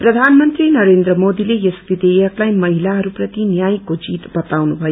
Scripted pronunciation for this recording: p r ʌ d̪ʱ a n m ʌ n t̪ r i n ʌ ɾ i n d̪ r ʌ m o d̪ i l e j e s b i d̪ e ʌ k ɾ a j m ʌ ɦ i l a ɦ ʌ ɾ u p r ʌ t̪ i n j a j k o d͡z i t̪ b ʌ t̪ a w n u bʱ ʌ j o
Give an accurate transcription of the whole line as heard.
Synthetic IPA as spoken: p r ʌ d̪ʱ a n m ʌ n t̪ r i n ʌ ɾ e n d̪ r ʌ m o d̪ i l e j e s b i d̪ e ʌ k l a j m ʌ ɦ i l a ɦ ʌ ɾ u p r ʌ t̪ i n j a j k o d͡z i t̪ b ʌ t̪ a w n u bʱ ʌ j o